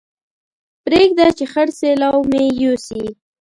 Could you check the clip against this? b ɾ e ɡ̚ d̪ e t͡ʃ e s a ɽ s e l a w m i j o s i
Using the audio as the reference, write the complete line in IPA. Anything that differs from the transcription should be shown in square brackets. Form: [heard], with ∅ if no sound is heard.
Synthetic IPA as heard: [p] ɾ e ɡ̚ d̪ [a] t͡ʃ e [x] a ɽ s e l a w m [e] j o s i